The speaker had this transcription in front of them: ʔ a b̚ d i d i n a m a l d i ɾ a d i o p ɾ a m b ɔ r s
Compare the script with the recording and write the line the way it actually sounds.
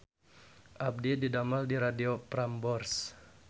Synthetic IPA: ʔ a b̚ d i d i d a m a l d i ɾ a d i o p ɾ a m b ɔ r s